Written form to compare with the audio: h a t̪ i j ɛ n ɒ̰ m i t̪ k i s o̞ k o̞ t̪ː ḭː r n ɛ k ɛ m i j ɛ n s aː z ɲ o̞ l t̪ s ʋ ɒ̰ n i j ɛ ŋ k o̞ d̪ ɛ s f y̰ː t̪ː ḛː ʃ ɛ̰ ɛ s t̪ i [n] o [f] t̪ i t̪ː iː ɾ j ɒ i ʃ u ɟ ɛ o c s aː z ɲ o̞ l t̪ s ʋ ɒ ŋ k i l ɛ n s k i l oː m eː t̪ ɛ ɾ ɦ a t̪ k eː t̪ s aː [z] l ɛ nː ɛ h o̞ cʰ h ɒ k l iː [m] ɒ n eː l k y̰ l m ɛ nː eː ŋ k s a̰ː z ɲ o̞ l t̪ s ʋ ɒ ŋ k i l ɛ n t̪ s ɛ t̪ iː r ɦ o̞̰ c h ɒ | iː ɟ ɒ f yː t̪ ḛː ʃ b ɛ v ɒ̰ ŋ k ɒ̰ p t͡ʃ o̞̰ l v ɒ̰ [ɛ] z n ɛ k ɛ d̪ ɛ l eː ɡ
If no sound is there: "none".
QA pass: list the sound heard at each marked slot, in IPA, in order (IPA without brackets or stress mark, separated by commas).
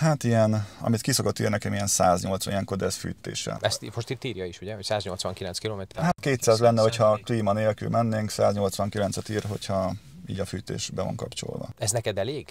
m, ʃ, z, m, ɛ